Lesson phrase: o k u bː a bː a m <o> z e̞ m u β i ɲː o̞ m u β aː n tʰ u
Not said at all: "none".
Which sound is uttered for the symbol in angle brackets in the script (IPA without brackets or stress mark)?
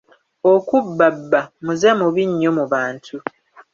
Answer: u